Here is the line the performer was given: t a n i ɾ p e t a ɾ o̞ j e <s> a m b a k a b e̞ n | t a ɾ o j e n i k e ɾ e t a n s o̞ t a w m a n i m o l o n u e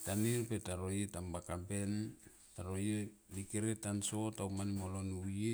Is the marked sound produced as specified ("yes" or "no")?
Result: no